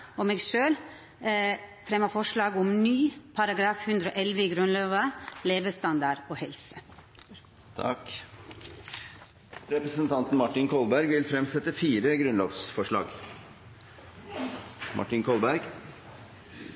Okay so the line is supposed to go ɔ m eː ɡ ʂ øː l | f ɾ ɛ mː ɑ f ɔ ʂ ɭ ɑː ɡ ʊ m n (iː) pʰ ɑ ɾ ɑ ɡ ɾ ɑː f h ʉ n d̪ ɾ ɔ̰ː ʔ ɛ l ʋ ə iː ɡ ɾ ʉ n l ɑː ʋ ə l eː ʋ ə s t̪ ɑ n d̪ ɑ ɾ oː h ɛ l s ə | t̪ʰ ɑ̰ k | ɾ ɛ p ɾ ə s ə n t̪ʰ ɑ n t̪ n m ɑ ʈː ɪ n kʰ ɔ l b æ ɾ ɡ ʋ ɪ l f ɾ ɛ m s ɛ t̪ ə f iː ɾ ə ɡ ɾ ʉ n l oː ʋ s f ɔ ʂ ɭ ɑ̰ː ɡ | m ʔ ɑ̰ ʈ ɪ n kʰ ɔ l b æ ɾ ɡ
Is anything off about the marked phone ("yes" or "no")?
yes